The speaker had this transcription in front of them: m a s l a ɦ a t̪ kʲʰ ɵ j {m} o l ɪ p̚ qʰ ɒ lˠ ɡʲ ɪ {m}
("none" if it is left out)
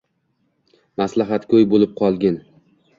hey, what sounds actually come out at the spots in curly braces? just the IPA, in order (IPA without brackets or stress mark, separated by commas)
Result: b, n